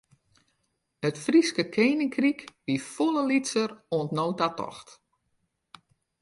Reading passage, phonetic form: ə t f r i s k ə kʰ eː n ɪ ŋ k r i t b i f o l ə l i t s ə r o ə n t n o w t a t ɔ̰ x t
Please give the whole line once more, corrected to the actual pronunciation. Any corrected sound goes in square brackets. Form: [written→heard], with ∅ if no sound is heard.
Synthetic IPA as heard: ə t f r i s k ə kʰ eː n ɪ ŋ k r i [t→k] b i f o l ə l i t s ə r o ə n t n o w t a t ɔ̰ x t